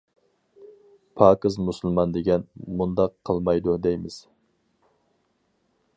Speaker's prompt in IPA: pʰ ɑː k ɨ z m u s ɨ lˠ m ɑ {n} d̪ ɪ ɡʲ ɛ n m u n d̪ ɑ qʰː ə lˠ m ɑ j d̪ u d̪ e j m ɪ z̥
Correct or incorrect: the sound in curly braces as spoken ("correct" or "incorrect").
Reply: correct